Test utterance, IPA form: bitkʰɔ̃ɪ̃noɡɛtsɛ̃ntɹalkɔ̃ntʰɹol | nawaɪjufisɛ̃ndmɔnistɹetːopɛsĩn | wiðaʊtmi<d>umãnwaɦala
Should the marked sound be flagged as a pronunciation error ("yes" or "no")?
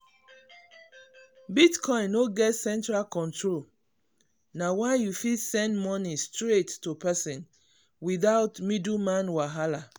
no